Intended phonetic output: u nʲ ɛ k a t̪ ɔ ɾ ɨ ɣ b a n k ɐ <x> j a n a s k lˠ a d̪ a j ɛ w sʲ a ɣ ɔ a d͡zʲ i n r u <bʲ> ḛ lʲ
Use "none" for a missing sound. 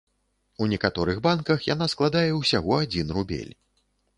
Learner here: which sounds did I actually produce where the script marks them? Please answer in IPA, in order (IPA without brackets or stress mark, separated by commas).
x, bʲ